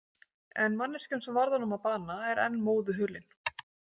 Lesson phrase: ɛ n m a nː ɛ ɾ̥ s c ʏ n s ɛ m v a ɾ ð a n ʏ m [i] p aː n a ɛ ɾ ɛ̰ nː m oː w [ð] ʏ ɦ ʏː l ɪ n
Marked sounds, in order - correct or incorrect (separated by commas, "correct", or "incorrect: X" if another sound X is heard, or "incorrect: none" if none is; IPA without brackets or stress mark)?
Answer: incorrect: a, correct